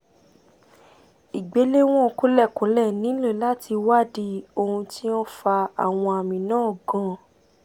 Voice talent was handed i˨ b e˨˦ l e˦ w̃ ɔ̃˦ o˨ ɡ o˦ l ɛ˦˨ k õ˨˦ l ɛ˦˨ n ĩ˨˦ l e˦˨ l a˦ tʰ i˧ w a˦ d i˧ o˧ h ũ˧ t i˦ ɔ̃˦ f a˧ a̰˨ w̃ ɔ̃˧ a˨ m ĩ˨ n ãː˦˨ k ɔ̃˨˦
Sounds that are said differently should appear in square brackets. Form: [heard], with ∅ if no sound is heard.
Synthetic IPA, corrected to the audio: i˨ [ɡ͡b] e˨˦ l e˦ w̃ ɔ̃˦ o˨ [k] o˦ l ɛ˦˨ k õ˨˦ l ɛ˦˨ n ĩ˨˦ l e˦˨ l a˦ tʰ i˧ w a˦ d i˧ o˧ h ũ˧ t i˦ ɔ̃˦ f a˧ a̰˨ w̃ ɔ̃˧ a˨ m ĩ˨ n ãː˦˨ [ɡ] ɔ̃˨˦